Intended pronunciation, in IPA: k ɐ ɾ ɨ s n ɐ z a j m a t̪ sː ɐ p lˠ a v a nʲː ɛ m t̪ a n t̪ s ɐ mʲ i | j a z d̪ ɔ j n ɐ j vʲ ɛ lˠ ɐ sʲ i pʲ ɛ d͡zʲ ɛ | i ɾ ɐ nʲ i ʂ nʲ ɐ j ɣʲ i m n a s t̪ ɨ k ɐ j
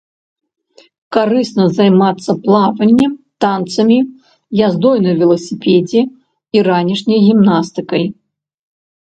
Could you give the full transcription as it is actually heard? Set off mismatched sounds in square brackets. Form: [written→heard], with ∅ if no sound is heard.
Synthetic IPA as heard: k [ɐ→a] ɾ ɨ s n ɐ z a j m a t̪ sː ɐ p lˠ a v [a→ɐ] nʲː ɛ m t̪ a n t̪ s ɐ mʲ i | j a z d̪ ɔ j n ɐ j vʲ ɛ lˠ ɐ sʲ i pʲ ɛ d͡zʲ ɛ | i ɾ [ɐ→a] nʲ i ʂ nʲ ɐ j ɣʲ i m n a s t̪ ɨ k ɐ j